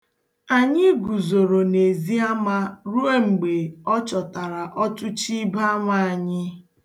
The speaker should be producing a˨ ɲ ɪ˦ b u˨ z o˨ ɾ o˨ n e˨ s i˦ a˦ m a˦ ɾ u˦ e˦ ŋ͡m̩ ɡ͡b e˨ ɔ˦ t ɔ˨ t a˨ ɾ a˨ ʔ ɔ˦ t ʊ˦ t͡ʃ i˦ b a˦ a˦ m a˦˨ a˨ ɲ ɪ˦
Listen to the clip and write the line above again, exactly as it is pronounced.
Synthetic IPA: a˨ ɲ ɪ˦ ɡ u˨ z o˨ ɾ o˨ n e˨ z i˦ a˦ m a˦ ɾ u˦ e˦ ŋ͡m̩ ɡ͡b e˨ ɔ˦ t͡ʃ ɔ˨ t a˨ ɾ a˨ ʔ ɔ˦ t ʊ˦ t͡ʃ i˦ b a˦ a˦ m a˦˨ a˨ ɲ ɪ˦